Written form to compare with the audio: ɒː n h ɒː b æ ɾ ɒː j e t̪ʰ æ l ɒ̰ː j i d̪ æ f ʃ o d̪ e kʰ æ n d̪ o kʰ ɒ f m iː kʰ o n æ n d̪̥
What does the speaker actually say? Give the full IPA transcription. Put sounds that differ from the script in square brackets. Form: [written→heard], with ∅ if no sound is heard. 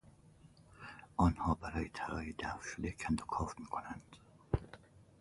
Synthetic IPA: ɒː n h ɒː b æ ɾ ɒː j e t̪ʰ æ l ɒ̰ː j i d̪ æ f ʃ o d̪ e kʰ æ n d̪ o kʰ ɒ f m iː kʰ o n æ n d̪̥